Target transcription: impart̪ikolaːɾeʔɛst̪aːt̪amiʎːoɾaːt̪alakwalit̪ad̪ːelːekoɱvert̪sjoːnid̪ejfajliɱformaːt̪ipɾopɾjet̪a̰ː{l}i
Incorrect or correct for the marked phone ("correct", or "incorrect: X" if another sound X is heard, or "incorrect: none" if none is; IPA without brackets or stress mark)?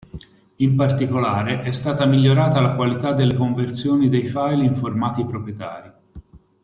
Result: incorrect: ɾ